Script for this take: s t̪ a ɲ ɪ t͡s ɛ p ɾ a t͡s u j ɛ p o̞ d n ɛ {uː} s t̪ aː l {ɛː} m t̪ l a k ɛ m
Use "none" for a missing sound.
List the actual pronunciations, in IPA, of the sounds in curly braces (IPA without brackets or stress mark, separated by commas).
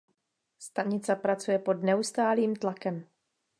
u, iː